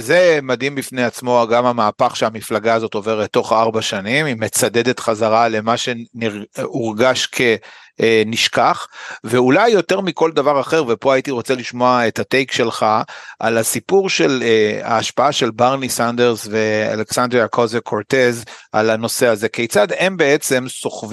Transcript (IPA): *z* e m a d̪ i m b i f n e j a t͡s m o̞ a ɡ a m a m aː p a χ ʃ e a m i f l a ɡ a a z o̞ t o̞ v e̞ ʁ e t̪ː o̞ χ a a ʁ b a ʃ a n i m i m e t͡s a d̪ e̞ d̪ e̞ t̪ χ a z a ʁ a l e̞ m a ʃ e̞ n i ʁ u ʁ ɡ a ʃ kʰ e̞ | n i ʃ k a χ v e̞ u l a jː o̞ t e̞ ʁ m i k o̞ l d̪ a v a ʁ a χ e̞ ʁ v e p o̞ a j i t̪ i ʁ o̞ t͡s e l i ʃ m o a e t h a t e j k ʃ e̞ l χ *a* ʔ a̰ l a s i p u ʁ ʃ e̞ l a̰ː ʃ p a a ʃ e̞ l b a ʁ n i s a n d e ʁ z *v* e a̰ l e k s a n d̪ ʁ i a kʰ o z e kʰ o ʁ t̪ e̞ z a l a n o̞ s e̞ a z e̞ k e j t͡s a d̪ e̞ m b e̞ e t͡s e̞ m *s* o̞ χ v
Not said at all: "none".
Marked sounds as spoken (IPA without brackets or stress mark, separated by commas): z, a, v, s